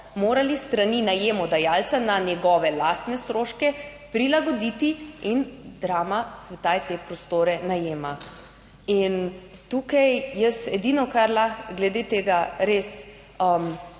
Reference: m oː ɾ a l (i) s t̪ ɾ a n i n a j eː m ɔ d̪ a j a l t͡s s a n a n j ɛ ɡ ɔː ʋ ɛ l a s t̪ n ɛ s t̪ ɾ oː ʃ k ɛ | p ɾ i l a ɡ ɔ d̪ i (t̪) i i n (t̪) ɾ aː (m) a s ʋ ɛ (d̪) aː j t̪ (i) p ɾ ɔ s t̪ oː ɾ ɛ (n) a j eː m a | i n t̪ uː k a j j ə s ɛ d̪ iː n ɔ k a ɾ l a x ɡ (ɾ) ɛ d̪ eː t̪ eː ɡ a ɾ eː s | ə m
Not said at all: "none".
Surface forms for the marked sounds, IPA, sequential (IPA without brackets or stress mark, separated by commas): i, t̪, d̪, m, t̪, e, n, l